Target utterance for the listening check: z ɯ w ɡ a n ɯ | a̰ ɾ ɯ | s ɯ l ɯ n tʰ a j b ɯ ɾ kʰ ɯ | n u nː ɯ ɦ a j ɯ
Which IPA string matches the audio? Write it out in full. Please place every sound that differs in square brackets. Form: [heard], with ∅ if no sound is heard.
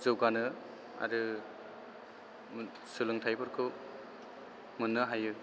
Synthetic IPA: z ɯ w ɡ a n ɯ | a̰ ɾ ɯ | s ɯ l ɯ [ŋ] tʰ a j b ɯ ɾ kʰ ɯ | [m] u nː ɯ ɦ a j ɯ